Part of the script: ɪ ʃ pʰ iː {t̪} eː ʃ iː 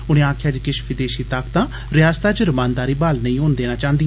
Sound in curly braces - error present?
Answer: yes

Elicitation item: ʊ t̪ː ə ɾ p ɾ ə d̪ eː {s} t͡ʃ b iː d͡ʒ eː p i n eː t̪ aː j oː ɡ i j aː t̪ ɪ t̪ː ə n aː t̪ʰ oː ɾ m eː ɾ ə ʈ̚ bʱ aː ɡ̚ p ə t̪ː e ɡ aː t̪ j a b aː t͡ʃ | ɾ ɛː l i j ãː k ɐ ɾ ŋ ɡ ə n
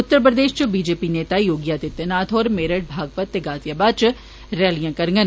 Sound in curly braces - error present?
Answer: yes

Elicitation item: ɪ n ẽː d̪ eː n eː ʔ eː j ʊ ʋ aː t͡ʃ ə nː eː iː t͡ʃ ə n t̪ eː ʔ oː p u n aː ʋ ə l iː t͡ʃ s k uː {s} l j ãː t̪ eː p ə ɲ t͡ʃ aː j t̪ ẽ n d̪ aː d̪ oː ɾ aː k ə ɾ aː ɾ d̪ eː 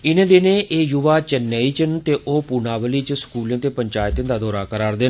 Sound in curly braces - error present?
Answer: yes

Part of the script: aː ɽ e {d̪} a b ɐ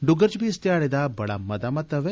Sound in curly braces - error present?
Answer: no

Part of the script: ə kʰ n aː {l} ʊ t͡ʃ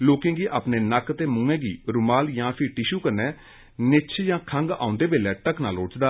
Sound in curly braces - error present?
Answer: no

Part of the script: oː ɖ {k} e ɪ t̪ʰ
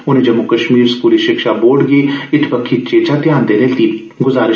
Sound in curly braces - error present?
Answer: yes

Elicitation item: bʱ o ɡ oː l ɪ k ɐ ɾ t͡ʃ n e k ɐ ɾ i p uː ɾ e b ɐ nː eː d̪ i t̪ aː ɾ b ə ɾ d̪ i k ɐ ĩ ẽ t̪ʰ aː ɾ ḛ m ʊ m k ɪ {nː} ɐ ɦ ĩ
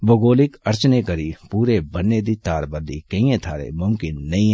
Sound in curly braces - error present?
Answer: no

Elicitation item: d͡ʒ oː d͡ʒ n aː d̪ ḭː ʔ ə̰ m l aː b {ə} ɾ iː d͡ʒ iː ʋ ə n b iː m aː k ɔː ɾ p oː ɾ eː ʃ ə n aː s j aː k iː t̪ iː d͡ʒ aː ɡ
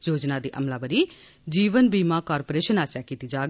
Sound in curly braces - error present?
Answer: no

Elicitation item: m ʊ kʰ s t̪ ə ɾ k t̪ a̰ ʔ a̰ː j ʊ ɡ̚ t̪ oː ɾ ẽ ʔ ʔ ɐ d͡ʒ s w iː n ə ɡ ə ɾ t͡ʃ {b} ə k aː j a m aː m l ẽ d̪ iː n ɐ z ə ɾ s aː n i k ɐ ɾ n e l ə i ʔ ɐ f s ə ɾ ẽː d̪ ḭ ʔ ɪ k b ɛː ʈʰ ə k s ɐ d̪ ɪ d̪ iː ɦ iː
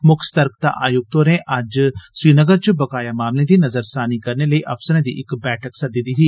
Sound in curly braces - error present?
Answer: no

